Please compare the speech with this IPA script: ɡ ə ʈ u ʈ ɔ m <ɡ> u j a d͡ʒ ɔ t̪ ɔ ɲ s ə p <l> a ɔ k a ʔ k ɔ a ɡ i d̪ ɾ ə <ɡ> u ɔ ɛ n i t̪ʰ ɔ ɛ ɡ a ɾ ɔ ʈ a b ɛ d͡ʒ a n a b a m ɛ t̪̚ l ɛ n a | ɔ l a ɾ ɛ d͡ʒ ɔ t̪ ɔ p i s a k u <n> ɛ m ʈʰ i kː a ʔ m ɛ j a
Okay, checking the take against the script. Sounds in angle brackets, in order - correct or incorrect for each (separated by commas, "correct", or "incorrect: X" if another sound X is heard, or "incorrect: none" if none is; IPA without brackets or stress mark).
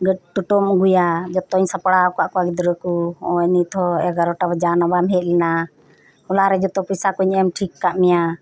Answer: correct, incorrect: ɽ, incorrect: k, incorrect: ɲ